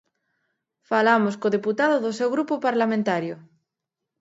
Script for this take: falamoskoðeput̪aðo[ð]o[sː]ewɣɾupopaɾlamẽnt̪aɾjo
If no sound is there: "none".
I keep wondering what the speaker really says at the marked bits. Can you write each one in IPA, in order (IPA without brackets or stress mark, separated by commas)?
ð, s